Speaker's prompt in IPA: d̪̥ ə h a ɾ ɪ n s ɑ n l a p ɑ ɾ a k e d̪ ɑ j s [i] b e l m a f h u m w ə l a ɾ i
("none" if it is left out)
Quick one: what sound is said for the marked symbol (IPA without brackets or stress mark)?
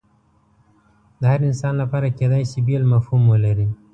i